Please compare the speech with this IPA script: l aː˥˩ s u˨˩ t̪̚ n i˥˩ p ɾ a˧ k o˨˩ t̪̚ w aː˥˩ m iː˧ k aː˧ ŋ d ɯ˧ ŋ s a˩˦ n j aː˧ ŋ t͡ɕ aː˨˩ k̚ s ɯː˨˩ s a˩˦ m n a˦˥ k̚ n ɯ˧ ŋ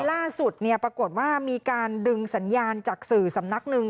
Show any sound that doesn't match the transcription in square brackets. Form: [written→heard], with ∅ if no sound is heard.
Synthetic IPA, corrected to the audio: l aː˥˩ s u˨˩ t̪̚ n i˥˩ p ɾ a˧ k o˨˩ t̪̚ w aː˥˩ m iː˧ k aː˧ [ŋ→n] d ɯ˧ ŋ s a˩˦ n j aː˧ [ŋ→n] t͡ɕ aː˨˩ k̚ s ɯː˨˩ s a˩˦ m n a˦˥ k̚ n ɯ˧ ŋ